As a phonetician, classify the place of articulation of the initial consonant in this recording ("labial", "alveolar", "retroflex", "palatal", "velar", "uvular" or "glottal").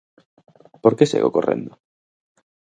labial